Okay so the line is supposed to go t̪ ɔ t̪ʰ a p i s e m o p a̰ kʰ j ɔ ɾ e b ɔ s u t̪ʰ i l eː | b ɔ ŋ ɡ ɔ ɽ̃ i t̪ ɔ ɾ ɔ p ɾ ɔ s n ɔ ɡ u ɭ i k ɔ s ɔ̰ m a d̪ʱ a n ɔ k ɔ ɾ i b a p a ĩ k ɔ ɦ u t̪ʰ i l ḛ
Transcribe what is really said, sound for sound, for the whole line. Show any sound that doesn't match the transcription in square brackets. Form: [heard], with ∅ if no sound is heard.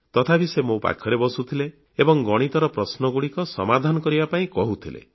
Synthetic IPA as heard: t̪ ɔ t̪ʰ a p i s e m o p a̰ kʰ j ɔ ɾ e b ɔ s u t̪ʰ i l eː | b ɔ ŋ ɡ ɔ ɽ̃ i t̪ ɔ ɾ ɔ p ɾ ɔ s n ɔ ɡ u [ɽ] i k ɔ s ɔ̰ m a d̪ʱ a n ɔ k ɔ ɾ i b a p a ĩ k ɔ ɦ u t̪ʰ i l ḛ